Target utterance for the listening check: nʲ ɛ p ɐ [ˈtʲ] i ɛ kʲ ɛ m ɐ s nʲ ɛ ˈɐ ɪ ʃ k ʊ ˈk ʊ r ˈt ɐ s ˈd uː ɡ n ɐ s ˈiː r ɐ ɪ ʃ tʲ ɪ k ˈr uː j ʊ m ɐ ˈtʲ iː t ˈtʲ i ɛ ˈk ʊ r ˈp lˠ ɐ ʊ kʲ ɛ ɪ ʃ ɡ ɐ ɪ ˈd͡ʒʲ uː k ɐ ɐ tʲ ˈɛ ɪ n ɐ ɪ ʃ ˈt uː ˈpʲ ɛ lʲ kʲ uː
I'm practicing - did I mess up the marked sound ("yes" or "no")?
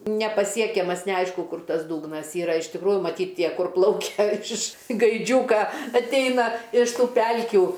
yes